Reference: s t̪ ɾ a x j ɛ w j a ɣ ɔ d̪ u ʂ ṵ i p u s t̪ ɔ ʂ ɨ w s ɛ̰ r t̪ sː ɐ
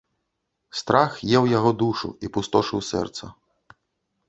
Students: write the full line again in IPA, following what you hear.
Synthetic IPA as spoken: s t̪ ɾ a x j ɛ w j a ɣ ɔ d̪ u ʂ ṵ i p u s t̪ ɔ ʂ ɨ w s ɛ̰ r t̪ s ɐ